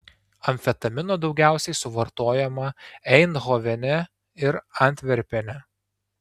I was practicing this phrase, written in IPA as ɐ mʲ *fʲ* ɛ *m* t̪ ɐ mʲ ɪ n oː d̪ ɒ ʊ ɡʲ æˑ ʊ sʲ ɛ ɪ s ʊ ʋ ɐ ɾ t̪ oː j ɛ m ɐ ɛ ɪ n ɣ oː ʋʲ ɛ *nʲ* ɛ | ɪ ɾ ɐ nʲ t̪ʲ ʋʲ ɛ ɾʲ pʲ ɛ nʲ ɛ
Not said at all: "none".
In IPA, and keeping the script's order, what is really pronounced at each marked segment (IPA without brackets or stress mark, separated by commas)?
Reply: fʲ, none, nʲ